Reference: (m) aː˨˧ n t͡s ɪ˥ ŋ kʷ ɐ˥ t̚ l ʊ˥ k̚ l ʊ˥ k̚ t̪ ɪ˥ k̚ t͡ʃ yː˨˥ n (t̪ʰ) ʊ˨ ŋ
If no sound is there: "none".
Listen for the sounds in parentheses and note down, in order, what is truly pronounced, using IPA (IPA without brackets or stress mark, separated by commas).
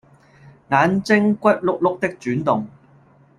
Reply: ŋ, t̪